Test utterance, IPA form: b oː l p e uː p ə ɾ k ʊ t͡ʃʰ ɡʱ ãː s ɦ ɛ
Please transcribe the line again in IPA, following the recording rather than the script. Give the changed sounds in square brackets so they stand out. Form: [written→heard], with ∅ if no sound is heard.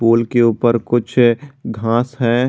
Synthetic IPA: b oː l [p→k] e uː p ə ɾ k ʊ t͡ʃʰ ɡʱ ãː s ɦ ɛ